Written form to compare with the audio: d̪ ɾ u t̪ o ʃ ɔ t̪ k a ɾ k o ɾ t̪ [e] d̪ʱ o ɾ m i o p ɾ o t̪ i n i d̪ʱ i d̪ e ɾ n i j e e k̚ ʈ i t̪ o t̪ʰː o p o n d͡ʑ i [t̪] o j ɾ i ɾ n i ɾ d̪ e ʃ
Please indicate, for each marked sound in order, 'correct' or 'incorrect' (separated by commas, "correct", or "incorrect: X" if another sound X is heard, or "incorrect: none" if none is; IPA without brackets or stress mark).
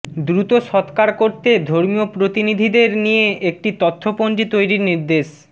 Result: correct, correct